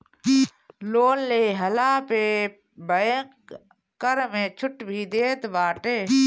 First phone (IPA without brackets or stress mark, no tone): l